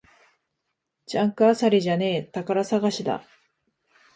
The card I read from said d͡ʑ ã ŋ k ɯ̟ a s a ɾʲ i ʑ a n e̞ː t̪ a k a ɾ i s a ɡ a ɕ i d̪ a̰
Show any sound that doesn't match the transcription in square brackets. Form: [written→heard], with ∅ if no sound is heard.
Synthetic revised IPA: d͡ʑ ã ŋ k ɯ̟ a s a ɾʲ i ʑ a n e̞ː t̪ a k a ɾ [i→a] s a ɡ a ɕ i d̪ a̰